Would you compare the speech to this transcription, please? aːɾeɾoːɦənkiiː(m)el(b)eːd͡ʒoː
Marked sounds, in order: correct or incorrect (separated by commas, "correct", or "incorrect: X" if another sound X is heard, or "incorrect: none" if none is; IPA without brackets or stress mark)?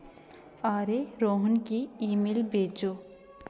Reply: correct, correct